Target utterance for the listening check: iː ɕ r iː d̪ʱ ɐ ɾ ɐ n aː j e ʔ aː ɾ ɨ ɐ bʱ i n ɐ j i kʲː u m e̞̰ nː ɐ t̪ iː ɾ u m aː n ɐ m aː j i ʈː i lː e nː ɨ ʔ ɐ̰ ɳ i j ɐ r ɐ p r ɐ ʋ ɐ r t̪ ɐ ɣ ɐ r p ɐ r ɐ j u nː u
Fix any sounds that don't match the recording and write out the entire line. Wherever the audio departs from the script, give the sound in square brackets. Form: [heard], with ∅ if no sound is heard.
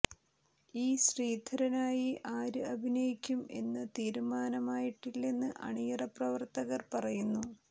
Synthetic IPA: iː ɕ r iː d̪ʱ ɐ ɾ ɐ n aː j [i] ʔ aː ɾ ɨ ɐ bʱ i n ɐ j i kʲː u m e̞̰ nː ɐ t̪ iː ɾ u m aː n ɐ m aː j i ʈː i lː e nː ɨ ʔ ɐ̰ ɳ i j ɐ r ɐ p r ɐ ʋ ɐ r t̪ ɐ ɣ ɐ r p ɐ r ɐ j u nː u